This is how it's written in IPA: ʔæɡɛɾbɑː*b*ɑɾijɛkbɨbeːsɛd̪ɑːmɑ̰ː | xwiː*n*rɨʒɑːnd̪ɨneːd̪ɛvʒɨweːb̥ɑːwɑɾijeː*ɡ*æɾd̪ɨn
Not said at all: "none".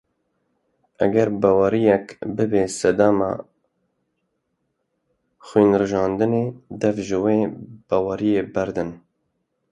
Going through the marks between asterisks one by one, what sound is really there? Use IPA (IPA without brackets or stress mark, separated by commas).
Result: w, n, b